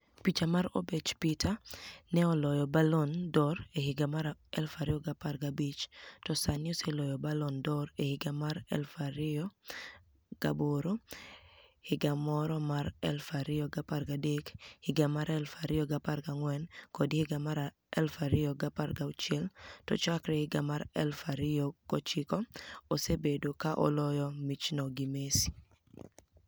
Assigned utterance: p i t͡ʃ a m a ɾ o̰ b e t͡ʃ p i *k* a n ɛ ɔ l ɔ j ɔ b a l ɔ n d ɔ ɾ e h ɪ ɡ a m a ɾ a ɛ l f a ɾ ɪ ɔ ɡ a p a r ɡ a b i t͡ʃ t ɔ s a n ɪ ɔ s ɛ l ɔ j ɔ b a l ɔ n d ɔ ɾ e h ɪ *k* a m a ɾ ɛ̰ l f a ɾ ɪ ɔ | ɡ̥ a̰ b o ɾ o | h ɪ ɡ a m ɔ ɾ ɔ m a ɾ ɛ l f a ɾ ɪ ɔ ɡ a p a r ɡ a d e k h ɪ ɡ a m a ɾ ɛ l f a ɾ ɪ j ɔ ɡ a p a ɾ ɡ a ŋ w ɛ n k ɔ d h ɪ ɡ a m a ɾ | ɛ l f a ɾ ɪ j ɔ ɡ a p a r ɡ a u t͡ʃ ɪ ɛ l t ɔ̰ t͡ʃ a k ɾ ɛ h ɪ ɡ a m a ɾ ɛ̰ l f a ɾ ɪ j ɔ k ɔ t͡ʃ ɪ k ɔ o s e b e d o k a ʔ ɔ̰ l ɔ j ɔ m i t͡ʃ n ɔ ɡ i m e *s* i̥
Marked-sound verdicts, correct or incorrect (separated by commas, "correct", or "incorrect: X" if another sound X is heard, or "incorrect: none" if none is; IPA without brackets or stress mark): incorrect: t, incorrect: ɡ, correct